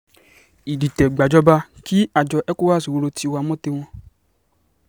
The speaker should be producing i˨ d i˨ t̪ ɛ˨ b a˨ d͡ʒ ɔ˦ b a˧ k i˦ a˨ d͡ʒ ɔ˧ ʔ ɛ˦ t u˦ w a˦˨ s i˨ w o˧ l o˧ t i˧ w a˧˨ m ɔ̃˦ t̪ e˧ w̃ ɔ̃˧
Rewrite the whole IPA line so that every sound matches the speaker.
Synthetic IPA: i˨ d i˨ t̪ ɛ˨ ɡ͡b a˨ d͡ʒ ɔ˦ b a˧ k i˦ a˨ d͡ʒ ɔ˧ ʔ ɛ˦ k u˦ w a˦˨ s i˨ w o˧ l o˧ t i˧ w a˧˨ m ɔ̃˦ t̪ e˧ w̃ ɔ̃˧